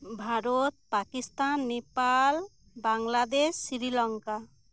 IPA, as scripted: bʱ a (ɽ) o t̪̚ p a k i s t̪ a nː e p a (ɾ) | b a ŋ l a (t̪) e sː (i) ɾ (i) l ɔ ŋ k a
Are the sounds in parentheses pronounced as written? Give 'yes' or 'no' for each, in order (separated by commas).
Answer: no, no, no, yes, yes